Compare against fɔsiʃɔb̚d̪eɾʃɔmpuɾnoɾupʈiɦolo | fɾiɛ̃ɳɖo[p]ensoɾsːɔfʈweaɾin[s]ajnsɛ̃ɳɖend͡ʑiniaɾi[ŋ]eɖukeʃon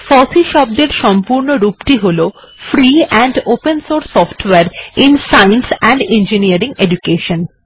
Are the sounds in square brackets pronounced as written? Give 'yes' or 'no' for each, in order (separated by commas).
yes, yes, yes